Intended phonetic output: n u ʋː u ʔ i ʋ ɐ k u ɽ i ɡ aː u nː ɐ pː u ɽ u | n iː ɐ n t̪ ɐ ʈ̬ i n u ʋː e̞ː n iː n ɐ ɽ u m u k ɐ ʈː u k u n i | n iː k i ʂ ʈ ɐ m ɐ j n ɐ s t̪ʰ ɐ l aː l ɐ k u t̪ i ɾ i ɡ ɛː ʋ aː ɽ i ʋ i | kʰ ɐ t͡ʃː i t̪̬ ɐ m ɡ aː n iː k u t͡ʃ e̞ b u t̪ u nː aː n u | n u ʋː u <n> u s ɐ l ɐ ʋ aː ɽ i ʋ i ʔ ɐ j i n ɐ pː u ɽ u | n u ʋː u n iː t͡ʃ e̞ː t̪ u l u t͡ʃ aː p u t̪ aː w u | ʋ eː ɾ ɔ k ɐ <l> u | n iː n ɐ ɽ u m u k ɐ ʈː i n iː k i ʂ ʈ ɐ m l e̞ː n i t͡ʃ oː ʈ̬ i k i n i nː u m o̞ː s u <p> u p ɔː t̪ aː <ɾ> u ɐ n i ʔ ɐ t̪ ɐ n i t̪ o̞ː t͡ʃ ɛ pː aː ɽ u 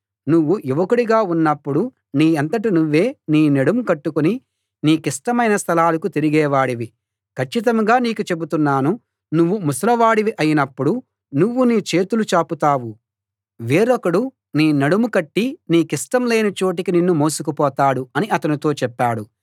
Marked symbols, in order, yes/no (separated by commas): no, no, no, no